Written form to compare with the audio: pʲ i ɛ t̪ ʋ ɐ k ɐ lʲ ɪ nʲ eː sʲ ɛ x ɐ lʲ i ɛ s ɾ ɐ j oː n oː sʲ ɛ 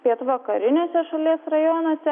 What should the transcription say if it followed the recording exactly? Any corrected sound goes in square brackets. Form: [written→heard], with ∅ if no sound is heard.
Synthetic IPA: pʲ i ɛ t̪ ʋ ɐ k ɐ [lʲ→ɾʲ] ɪ nʲ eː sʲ ɛ [x→ʃ] ɐ lʲ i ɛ s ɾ ɐ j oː n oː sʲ ɛ

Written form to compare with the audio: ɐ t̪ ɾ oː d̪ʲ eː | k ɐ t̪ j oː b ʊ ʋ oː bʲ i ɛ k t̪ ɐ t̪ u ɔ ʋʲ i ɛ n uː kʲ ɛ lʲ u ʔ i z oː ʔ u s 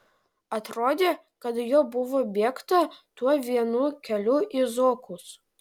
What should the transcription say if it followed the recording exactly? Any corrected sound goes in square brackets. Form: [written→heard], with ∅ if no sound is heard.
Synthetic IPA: ɐ t̪ ɾ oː d̪ʲ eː | k ɐ t̪ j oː b ʊ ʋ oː bʲ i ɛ k t̪ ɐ t̪ u ɔ ʋʲ i ɛ n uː kʲ ɛ lʲ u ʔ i z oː [ʔ→k] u s

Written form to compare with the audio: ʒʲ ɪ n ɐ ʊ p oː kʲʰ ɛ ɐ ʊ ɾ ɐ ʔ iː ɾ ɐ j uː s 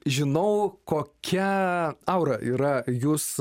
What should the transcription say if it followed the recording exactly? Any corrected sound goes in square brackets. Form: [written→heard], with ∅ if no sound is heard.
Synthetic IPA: ʒʲ ɪ n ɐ ʊ [p→k] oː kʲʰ ɛ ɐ ʊ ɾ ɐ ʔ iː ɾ ɐ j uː s

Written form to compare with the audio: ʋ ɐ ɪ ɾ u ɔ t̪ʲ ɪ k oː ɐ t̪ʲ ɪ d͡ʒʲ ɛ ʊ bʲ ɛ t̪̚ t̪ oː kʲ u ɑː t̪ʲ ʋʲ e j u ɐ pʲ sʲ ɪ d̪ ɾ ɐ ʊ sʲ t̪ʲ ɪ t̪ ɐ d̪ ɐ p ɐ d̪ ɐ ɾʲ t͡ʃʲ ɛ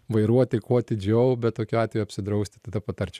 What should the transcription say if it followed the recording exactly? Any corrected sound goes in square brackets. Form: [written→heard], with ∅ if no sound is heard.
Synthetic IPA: ʋ ɐ ɪ ɾ u ɔ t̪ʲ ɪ k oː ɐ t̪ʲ ɪ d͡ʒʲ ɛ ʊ bʲ ɛ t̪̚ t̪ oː kʲ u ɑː t̪ʲ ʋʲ e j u ɐ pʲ sʲ ɪ d̪ ɾ ɐ ʊ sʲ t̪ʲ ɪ t̪ ɐ d̪ ɐ p ɐ [d̪→t̪] ɐ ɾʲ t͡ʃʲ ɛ

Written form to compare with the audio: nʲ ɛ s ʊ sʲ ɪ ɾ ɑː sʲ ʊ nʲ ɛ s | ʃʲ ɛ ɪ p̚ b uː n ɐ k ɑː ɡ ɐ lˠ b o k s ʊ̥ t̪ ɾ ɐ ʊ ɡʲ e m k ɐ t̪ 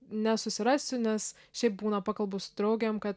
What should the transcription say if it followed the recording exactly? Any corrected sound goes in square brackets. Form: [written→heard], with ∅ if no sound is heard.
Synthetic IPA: nʲ ɛ s ʊ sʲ ɪ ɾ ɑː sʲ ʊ nʲ ɛ s | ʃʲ ɛ ɪ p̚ b uː n ɐ [k→p] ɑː [ɡ→k] ɐ lˠ b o [k→∅] s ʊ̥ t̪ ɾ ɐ ʊ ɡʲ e m k ɐ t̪

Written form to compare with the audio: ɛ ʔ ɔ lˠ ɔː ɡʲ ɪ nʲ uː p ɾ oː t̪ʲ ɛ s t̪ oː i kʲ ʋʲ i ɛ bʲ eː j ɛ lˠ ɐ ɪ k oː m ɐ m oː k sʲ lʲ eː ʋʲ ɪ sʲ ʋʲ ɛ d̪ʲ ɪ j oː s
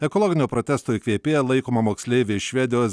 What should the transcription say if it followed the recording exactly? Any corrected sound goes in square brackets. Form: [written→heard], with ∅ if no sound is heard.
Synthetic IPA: ɛ [ʔ→k] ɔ lˠ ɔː ɡʲ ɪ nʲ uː p ɾ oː t̪ʲ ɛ s t̪ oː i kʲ ʋʲ i ɛ [bʲ→pʲ] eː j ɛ lˠ ɐ ɪ k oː m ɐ m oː k sʲ lʲ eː ʋʲ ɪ [sʲ→ʃʲ] ʋʲ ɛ d̪ʲ ɪ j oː s

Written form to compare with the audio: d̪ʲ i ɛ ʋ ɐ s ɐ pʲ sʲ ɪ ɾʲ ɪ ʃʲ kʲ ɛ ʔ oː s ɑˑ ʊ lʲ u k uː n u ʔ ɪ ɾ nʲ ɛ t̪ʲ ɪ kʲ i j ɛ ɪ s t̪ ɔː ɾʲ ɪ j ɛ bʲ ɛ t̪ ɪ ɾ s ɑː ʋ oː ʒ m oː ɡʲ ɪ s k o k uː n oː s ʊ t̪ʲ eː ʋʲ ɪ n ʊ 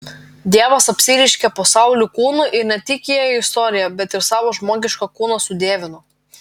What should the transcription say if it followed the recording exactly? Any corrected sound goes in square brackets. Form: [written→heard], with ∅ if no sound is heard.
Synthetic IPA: d̪ʲ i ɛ ʋ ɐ s ɐ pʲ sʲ ɪ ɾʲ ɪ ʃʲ kʲ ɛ [ʔ→p] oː s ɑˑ ʊ lʲ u k uː n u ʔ ɪ ɾ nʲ ɛ t̪ʲ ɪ kʲ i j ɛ ɪ s t̪ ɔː ɾʲ ɪ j ɛ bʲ ɛ t̪ ɪ ɾ s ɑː ʋ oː ʒ m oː ɡʲ ɪ [s→ʃ] k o k uː n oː s ʊ [t̪ʲ→d̪ʲ] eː ʋʲ ɪ n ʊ

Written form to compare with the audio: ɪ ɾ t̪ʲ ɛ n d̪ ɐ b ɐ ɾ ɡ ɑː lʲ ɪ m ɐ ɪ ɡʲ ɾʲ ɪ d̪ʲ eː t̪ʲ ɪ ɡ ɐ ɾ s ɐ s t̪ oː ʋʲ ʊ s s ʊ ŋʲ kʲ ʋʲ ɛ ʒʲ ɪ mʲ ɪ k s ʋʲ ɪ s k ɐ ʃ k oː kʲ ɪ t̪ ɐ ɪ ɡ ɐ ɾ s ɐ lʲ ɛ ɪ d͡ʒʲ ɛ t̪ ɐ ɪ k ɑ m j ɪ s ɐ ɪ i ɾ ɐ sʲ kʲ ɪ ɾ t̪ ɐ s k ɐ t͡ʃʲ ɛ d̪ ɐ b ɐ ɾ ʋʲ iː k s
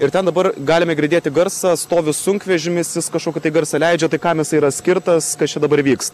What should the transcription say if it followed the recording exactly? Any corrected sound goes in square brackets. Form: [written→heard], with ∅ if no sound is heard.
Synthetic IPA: ɪ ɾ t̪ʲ ɛ n d̪ ɐ b ɐ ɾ ɡ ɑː lʲ ɪ m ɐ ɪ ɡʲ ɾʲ ɪ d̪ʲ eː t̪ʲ ɪ ɡ ɐ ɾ s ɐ s t̪ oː ʋʲ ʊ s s ʊ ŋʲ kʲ ʋʲ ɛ ʒʲ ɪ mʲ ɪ [k→∅] s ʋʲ ɪ s k ɐ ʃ k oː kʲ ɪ t̪ ɐ ɪ ɡ ɐ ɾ s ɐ lʲ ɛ ɪ d͡ʒʲ ɛ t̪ ɐ ɪ k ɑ m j ɪ s ɐ ɪ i ɾ ɐ sʲ kʲ ɪ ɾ t̪ ɐ s k ɐ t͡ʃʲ ɛ d̪ ɐ b ɐ ɾ ʋʲ iː k s

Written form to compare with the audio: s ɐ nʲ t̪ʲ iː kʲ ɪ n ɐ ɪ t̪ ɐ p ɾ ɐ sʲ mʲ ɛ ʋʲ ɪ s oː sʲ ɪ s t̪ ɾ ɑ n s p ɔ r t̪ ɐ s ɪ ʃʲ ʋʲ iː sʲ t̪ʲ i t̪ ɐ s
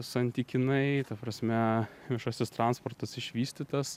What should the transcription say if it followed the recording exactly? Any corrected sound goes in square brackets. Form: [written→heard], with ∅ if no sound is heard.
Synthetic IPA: s ɐ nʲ t̪ʲ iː kʲ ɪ n ɐ ɪ t̪ ɐ p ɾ ɐ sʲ mʲ ɛ ʋʲ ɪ [s→ʃ] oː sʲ ɪ s t̪ ɾ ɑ n s p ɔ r t̪ ɐ s ɪ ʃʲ ʋʲ iː sʲ t̪ʲ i t̪ ɐ s

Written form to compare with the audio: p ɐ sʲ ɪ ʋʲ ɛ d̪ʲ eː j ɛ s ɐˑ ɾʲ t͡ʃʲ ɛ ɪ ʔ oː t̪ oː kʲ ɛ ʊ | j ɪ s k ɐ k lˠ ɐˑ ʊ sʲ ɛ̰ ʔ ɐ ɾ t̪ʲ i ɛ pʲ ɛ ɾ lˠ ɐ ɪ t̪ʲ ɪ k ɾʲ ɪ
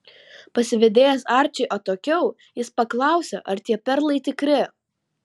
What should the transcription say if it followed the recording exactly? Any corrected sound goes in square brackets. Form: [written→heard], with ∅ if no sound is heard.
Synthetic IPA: p ɐ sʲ ɪ ʋʲ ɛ d̪ʲ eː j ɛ s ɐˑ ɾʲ t͡ʃʲ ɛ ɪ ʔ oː t̪ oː kʲ ɛ ʊ | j ɪ s [k→p] ɐ k lˠ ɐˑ ʊ sʲ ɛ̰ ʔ ɐ ɾ t̪ʲ i ɛ pʲ ɛ ɾ lˠ ɐ ɪ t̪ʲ ɪ k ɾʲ ɪ

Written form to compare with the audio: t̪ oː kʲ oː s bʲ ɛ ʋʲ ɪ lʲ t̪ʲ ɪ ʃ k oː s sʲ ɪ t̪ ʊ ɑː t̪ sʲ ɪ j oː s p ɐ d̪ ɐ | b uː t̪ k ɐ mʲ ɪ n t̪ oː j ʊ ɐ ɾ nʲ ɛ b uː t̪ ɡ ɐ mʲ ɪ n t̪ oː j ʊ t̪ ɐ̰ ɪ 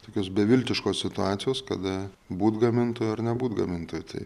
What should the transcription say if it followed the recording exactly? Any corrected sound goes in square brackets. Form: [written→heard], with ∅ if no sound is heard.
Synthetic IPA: t̪ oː kʲ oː s bʲ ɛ ʋʲ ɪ lʲ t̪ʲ ɪ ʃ k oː s sʲ ɪ t̪ ʊ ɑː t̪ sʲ ɪ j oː s [p→k] ɐ d̪ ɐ | b uː t̪ [k→ɡ] ɐ mʲ ɪ n t̪ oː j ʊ ɐ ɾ nʲ ɛ b uː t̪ ɡ ɐ mʲ ɪ n t̪ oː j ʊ t̪ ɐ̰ ɪ

